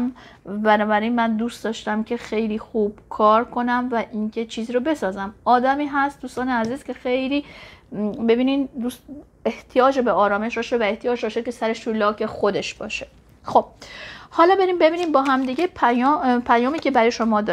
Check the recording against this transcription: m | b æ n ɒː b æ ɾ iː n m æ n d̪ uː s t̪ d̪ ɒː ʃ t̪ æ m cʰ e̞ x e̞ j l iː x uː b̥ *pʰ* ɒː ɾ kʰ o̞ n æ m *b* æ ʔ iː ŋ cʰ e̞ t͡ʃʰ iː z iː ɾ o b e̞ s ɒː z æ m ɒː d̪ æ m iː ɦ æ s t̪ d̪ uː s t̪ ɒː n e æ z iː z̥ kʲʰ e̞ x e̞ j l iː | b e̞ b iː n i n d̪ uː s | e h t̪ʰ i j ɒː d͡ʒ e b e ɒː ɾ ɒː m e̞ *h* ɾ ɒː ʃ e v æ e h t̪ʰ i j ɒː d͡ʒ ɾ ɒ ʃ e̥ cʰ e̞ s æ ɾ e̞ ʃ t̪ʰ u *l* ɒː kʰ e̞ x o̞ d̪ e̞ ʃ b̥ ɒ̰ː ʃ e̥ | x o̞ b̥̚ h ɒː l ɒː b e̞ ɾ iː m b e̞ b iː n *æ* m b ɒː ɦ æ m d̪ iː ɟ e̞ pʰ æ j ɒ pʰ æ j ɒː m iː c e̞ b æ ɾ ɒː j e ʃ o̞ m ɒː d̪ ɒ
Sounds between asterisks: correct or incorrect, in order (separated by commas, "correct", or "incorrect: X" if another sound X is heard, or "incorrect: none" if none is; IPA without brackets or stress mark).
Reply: incorrect: kʰ, incorrect: v, incorrect: ʃ, correct, incorrect: i